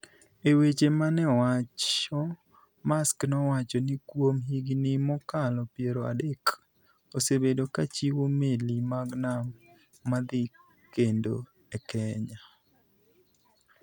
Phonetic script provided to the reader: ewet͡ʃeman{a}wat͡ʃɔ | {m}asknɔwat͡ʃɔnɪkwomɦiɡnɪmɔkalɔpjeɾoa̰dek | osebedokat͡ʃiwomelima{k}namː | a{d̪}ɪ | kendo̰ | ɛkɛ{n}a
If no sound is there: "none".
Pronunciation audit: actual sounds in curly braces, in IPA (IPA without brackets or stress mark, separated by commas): ɛ, m, ɡ, d̪, ɲ